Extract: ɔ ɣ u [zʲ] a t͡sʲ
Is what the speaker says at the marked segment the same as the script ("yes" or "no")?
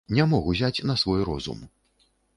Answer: yes